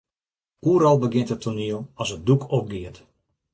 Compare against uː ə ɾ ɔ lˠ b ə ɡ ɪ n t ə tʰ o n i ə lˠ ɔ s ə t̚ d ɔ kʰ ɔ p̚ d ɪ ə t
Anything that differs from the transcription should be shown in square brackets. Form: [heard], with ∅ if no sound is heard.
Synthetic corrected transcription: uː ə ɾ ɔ lˠ b ə ɡ ɪ n t ə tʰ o n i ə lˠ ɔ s ə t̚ d [u] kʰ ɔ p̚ [ɡ] ɪ ə t